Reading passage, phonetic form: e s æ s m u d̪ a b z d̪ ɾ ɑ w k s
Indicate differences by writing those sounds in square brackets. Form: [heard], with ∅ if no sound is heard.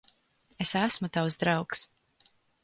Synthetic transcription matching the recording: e s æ s m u [t̪] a [w] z d̪ ɾ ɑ w k s